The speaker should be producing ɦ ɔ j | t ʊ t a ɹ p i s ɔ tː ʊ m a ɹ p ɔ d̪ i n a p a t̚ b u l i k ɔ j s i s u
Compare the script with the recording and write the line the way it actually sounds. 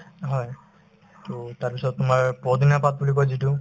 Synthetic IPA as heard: ɦ ɔ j | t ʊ t a ɹ p i s ɔ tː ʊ m a ɹ p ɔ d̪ i n a p a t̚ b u l i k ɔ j z i t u